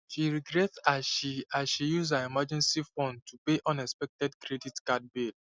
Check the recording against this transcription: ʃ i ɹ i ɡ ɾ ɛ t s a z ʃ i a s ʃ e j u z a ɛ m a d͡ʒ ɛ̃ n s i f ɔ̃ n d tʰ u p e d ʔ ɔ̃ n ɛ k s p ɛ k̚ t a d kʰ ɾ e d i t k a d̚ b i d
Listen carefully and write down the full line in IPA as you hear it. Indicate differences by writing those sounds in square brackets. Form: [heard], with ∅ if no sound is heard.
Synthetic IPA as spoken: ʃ i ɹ i ɡ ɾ ɛ t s a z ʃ i a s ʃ [i] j u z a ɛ m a d͡ʒ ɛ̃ n s i f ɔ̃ n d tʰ u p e [∅] ʔ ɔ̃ n ɛ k s p ɛ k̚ t [ɛ] d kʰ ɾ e d i t k a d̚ b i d